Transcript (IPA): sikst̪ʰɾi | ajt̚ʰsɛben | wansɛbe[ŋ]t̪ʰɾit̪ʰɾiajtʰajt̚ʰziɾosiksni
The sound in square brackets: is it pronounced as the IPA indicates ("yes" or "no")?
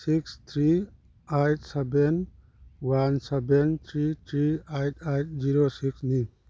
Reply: no